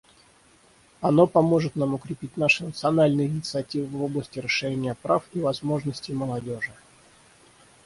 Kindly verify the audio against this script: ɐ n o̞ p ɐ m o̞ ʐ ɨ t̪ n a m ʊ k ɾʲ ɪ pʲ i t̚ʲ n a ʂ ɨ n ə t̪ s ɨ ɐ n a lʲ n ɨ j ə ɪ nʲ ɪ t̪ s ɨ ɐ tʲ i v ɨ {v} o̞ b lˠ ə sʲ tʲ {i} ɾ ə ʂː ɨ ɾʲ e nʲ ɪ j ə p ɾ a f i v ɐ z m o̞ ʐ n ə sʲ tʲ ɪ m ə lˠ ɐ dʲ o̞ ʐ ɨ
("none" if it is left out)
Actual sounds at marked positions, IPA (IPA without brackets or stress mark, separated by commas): v, ɪ